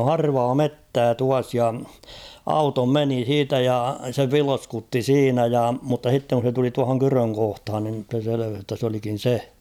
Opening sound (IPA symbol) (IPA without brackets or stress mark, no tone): o